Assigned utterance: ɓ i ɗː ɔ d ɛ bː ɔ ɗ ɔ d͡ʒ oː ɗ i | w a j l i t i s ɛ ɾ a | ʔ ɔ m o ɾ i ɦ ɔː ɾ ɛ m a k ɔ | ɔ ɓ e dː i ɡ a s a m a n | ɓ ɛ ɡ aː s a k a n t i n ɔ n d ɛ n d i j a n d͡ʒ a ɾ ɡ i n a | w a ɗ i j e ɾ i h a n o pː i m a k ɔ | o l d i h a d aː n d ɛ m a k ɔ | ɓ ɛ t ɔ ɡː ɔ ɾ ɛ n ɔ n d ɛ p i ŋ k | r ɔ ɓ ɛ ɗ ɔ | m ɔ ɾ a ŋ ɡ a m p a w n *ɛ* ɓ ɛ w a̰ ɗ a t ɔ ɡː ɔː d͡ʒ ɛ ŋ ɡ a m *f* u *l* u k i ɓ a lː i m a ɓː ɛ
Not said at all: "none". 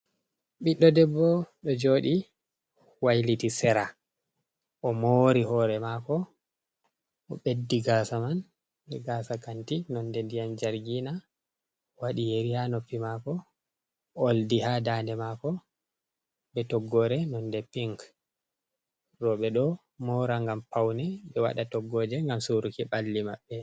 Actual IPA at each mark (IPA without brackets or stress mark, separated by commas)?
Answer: ɛ, s, ɾ